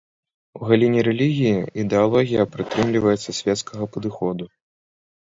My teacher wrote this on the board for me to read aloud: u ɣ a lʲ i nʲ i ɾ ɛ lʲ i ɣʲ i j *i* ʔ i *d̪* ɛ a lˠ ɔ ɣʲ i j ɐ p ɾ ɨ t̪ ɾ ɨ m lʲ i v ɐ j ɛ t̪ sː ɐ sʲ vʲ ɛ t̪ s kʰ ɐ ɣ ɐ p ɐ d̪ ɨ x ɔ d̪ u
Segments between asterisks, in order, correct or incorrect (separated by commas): correct, correct